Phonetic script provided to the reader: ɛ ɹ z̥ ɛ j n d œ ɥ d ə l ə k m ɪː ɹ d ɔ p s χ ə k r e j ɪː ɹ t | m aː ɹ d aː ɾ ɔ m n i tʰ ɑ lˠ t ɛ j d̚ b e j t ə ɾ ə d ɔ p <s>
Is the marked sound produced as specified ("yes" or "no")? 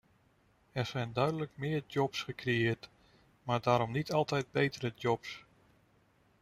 yes